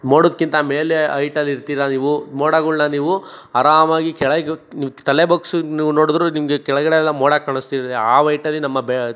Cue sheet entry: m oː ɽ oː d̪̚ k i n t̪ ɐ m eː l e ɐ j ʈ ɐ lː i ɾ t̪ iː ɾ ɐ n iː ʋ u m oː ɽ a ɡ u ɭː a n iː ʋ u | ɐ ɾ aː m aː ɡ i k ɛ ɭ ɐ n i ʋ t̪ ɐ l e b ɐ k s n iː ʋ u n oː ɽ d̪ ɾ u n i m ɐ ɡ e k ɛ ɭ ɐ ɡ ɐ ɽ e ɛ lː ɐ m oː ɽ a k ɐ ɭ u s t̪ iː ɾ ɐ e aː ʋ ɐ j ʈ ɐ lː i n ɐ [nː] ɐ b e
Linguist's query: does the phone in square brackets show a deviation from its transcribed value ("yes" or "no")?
yes